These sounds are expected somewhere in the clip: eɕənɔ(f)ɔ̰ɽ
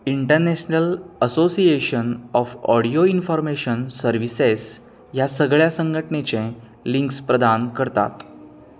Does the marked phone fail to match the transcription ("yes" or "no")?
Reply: no